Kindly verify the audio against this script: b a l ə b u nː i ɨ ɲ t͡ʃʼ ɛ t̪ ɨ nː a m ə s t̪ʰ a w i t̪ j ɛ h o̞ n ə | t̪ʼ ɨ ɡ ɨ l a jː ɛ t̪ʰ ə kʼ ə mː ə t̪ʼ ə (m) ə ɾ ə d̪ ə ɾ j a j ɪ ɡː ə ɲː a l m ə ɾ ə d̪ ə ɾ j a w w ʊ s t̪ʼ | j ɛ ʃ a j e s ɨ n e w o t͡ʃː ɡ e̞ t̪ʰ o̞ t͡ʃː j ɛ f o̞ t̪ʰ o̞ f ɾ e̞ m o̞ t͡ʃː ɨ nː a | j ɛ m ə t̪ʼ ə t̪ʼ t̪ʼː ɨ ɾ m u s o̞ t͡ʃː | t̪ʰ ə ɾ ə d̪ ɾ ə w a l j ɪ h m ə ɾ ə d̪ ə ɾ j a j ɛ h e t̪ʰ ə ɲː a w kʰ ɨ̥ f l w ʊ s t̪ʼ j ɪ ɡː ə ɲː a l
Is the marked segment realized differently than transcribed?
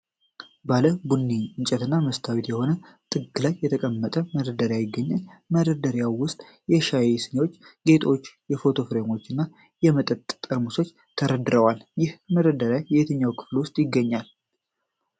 no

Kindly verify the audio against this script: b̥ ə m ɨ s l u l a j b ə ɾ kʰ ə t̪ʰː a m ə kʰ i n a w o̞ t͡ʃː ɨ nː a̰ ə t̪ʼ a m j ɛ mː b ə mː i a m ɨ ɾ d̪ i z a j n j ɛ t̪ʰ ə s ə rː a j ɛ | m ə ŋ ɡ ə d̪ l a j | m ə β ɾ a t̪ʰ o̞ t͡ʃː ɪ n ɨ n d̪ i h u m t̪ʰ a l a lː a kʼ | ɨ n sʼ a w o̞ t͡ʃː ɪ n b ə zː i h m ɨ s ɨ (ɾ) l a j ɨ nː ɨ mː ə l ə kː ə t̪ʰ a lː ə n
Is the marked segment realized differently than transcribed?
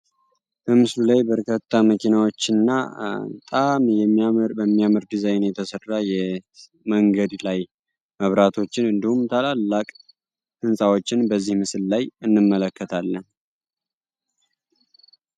yes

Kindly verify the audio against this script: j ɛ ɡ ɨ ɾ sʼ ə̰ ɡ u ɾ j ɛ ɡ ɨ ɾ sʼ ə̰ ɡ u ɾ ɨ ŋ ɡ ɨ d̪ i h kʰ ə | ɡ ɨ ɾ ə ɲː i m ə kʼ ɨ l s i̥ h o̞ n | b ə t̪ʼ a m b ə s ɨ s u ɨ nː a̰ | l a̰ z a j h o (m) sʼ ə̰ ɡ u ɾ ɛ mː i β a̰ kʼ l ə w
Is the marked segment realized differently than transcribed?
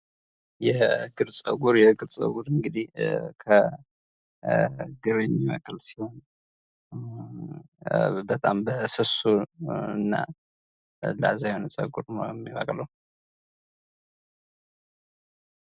yes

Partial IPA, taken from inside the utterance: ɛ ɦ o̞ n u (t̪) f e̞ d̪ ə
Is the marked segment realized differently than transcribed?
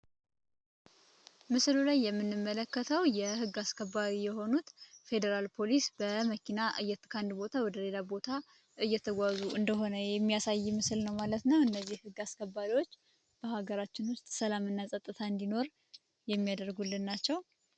no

